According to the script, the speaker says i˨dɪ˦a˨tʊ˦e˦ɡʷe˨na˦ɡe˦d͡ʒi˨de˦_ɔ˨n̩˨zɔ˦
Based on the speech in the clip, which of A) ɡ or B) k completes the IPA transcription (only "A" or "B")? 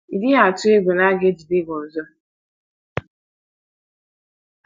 A